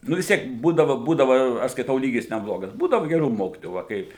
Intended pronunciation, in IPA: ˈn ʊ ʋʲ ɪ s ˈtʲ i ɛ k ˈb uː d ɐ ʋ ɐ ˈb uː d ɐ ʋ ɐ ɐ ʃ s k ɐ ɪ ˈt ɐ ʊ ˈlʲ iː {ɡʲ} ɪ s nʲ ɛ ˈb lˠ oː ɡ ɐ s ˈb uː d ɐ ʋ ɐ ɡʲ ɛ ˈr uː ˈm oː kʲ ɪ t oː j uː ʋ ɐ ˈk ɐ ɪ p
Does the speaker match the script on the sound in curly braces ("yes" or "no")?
yes